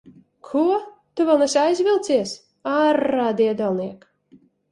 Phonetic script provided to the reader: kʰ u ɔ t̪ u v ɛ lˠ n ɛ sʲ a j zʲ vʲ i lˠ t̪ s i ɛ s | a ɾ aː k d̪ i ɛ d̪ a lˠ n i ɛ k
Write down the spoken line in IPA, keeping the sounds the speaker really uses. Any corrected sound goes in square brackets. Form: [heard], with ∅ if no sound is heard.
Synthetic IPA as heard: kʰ u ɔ t̪ u v ɛ lˠ n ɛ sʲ a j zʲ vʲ i lˠ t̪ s i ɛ s | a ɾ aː [∅] d̪ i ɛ d̪ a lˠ n i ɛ k